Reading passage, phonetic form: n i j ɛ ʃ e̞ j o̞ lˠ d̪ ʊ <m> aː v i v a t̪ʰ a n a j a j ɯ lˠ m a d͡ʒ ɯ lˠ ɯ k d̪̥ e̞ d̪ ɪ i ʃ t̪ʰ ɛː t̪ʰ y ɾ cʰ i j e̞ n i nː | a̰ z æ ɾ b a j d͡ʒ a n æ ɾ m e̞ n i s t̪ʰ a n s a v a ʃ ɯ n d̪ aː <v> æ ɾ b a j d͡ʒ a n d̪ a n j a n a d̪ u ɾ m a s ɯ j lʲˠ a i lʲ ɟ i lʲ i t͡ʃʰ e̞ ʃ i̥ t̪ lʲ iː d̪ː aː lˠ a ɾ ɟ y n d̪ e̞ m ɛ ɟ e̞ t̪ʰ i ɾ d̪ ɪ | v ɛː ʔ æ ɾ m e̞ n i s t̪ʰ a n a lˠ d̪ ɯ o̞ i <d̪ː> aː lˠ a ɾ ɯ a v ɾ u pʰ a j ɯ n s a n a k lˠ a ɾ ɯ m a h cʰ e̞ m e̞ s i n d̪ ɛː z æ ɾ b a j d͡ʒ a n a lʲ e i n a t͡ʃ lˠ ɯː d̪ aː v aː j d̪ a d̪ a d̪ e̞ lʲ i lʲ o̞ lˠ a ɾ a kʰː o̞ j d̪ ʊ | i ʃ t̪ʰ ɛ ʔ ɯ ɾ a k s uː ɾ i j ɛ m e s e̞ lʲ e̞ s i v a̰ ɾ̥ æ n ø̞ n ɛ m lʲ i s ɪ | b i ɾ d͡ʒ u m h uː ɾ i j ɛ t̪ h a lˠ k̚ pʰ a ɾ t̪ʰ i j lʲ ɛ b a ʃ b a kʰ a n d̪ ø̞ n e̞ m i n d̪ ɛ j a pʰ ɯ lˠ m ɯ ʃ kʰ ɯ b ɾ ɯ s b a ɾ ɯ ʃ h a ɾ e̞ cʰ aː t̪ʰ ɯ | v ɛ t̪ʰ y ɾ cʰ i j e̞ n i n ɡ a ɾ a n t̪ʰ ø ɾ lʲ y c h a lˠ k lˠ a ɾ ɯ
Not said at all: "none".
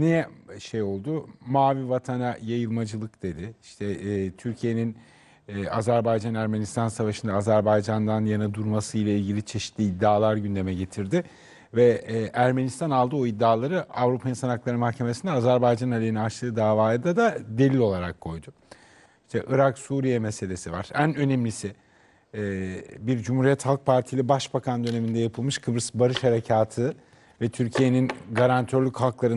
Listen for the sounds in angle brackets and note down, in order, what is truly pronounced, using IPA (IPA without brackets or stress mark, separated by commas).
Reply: m, z, d̪ː